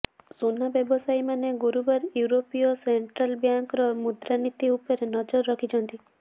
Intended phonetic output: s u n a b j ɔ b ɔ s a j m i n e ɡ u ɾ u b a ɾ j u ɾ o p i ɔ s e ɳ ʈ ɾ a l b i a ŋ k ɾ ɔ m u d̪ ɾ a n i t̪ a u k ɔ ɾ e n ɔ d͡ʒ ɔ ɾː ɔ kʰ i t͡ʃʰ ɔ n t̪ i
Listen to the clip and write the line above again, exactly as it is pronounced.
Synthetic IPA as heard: s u n a b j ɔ b ɔ s a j m a n e ɡ u ɾ u b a ɾ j u ɾ o p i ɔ s e ɳ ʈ ɾ a l b j a ŋ k ɾ ɔ m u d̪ ɾ a n i t̪ i u p ɔ ɾ e n ɔ d͡ʒ ɔ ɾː ɔ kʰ i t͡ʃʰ ɔ n t̪ i